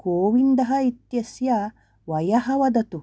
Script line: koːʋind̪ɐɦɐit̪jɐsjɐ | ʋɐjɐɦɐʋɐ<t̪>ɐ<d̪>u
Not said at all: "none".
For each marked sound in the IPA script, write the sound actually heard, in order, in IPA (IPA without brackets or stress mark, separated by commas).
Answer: d̪, t̪